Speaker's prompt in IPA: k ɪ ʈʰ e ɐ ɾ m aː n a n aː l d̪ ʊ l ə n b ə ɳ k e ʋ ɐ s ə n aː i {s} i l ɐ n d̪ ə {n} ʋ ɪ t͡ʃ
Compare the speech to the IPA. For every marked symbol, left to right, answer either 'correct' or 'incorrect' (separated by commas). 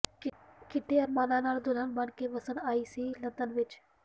correct, correct